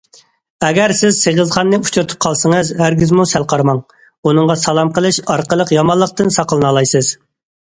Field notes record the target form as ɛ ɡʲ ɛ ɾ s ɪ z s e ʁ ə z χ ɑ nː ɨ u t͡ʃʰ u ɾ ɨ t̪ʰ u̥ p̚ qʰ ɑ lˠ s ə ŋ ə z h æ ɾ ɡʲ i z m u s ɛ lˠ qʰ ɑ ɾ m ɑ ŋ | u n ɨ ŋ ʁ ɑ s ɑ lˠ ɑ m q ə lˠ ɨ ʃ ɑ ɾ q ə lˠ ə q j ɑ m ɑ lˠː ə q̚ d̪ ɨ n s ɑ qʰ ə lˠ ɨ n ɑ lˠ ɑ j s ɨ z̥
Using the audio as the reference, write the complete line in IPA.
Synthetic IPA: ɛ ɡʲ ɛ ɾ s ɪ z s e ʁ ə z χ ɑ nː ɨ u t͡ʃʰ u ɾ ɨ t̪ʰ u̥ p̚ qʰ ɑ lˠ s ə ŋ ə z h æ ɾ ɡʲ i z m u s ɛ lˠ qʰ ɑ ɾ m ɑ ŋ | u n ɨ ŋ ʁ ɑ s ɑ lˠ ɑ m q ə lˠ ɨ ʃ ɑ ɾ q ə lˠ ə q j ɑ m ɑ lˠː ə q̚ t̪ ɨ n s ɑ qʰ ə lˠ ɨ n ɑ lˠ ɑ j s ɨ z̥